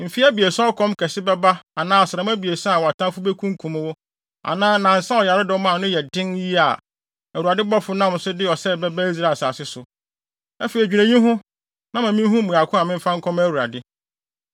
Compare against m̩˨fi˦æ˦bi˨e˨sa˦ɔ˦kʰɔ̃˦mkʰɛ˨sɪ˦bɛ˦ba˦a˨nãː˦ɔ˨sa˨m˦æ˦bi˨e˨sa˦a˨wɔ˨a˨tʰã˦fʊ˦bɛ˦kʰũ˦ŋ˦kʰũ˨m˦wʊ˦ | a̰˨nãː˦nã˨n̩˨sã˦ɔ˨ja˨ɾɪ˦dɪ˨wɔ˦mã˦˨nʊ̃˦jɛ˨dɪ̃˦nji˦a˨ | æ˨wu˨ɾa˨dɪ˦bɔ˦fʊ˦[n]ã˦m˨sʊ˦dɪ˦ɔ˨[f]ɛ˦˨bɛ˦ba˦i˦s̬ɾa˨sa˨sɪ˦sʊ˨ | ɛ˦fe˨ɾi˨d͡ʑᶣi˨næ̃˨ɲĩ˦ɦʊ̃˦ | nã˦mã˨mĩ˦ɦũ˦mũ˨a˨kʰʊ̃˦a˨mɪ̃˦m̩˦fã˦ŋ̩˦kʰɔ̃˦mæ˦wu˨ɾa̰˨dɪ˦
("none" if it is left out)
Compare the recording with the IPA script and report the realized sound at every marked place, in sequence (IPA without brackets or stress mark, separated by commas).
n, s